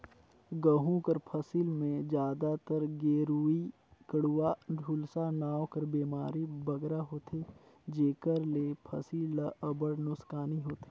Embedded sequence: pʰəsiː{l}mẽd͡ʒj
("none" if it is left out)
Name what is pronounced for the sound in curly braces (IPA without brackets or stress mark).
l